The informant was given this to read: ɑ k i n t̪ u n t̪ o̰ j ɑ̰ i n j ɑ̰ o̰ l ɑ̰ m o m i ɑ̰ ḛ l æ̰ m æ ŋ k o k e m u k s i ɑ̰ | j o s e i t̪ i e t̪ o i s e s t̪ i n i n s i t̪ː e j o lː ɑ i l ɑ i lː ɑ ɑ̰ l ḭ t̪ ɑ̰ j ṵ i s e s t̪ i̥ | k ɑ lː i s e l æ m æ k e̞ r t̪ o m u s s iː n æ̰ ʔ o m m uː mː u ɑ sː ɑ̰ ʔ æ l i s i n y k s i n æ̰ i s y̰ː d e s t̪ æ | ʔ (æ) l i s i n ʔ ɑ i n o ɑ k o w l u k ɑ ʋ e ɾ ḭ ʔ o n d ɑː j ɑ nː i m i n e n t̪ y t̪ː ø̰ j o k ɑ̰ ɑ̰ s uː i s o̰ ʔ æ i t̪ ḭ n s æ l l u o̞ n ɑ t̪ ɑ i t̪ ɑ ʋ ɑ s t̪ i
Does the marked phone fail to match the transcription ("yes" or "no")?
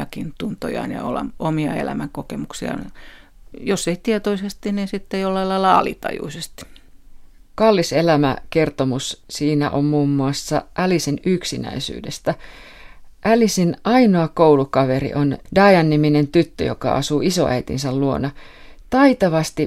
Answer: no